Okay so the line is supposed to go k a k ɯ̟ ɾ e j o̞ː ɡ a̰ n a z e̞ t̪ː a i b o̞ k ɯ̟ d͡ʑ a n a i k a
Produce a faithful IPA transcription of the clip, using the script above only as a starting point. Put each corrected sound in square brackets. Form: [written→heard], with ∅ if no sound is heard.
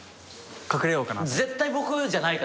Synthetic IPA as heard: k a k ɯ̟ ɾ e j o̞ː [ɡ→k] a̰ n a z e̞ t̪ː a i b o̞ k ɯ̟ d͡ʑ a n a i k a